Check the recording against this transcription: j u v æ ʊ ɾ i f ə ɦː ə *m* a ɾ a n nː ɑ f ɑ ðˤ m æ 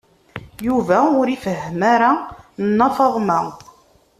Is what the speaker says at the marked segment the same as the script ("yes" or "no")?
yes